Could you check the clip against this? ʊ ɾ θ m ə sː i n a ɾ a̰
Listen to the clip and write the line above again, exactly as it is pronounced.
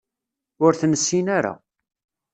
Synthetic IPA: ʊ ɾ θ n ə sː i n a ɾ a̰